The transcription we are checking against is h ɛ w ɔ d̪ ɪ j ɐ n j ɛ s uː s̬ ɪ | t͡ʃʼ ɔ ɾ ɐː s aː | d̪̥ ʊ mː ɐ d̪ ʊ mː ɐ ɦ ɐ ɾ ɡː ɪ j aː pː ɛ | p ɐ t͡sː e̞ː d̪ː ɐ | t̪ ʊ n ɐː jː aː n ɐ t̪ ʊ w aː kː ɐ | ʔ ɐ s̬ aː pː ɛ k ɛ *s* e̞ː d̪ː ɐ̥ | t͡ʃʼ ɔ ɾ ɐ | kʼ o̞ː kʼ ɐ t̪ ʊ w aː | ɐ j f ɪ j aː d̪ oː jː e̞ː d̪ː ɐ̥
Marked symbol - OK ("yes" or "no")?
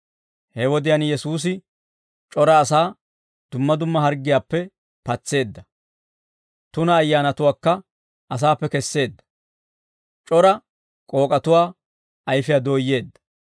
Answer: no